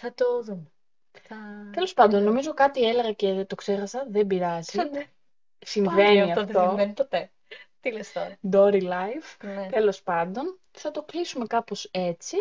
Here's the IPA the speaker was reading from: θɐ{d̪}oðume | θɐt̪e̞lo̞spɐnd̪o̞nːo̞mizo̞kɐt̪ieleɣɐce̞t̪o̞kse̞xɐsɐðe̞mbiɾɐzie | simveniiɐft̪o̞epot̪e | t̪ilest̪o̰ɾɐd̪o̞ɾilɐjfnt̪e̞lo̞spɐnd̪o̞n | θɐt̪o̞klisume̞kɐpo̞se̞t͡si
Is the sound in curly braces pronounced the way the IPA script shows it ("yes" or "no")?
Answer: no